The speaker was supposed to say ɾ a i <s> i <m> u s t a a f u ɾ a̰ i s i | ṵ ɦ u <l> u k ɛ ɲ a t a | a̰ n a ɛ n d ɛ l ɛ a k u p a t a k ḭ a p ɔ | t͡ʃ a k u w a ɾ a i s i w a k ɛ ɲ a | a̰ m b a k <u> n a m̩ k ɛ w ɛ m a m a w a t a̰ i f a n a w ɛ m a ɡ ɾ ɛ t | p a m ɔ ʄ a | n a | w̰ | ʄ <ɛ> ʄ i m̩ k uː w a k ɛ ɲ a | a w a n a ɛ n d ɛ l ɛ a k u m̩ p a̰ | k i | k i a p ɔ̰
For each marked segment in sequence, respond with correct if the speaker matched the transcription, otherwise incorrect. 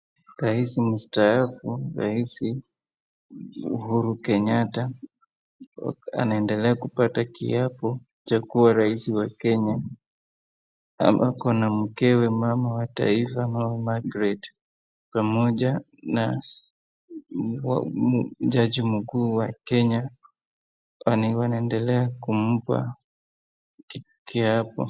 correct, correct, incorrect: ɾ, incorrect: ɔ, incorrect: a

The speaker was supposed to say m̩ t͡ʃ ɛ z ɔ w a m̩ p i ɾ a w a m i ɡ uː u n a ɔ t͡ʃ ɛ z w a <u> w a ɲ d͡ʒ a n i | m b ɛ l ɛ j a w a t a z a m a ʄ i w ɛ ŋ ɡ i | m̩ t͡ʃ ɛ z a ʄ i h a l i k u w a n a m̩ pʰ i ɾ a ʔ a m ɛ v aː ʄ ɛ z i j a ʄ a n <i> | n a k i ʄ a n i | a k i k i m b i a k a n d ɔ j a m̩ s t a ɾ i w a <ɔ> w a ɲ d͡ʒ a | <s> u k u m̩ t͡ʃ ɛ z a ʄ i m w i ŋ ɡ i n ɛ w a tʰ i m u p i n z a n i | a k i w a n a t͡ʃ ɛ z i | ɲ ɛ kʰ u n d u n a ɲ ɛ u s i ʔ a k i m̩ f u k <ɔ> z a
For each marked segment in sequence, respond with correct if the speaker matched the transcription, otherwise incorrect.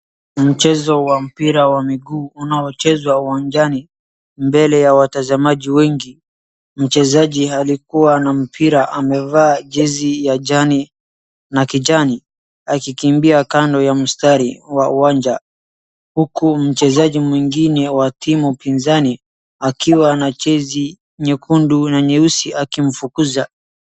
correct, correct, incorrect: u, incorrect: h, incorrect: u

